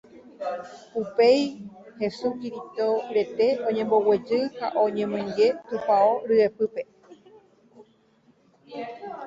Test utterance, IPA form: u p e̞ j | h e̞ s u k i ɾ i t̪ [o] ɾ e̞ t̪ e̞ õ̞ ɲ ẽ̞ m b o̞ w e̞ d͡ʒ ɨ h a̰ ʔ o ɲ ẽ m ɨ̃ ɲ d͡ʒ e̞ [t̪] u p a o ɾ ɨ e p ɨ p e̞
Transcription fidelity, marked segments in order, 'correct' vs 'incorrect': correct, correct

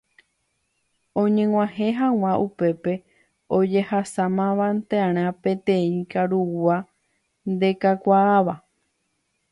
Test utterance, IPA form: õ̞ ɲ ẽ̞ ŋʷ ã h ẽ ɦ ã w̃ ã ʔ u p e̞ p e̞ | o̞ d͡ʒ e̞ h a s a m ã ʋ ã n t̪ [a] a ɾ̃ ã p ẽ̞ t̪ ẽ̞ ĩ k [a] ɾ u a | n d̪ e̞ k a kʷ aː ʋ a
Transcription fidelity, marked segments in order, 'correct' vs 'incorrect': incorrect: e, correct

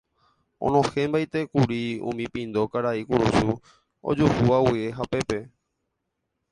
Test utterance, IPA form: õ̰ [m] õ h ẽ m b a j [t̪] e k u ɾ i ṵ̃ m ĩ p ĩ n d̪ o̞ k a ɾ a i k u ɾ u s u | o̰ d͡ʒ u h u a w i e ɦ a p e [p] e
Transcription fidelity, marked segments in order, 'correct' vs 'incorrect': incorrect: n, correct, correct

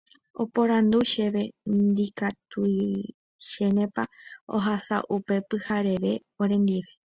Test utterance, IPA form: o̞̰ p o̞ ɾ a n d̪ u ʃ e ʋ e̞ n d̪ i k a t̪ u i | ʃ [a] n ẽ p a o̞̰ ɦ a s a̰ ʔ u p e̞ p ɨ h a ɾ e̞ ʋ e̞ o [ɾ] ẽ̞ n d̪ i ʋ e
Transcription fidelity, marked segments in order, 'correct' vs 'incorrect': incorrect: e, correct

